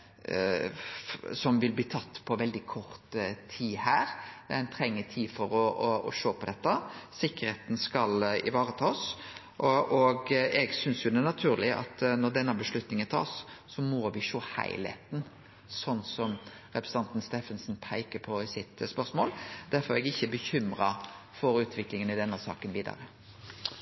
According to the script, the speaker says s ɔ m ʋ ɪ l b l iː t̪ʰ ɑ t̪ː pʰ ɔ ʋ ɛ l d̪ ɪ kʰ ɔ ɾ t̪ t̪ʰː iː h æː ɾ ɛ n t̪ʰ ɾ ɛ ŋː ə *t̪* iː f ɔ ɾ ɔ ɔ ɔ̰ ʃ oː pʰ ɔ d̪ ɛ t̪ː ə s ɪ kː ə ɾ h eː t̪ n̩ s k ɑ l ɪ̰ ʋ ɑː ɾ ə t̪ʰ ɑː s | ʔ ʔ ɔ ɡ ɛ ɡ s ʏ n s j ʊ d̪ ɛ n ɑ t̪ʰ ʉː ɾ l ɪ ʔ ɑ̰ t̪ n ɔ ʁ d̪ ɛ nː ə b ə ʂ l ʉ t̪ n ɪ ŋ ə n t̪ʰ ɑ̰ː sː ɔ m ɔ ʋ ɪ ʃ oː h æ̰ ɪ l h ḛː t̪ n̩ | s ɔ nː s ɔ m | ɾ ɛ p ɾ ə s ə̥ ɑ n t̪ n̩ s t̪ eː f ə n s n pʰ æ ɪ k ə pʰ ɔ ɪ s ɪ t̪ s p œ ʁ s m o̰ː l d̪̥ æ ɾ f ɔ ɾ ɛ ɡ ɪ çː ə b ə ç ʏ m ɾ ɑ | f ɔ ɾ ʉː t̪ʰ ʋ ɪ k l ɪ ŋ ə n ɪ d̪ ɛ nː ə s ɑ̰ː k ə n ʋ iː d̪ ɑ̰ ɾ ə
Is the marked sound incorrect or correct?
incorrect